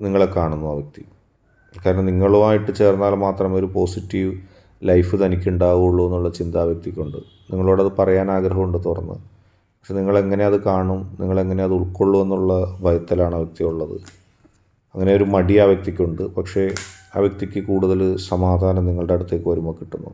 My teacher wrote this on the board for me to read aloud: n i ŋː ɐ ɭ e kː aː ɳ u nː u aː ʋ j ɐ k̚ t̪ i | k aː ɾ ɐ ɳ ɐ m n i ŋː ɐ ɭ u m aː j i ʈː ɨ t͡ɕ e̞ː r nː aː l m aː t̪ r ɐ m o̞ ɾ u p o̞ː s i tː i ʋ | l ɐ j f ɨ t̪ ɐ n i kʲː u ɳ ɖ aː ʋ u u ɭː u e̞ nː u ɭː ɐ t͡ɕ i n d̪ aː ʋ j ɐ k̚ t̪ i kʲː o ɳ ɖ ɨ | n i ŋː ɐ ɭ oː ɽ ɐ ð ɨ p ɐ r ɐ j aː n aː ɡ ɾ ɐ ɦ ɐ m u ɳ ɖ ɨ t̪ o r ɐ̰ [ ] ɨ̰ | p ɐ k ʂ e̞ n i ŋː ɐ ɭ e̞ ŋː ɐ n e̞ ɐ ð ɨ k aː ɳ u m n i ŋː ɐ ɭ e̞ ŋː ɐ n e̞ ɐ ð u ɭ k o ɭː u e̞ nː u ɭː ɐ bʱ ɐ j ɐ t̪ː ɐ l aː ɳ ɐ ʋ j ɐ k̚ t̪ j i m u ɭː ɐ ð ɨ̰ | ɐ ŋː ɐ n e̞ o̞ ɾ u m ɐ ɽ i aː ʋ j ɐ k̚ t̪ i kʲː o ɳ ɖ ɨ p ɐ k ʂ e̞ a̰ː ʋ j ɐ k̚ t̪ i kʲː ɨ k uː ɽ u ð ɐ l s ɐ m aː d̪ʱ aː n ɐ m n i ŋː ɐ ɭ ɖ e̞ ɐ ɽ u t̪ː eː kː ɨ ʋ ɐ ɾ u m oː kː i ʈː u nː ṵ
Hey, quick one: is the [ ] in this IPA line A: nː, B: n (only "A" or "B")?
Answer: A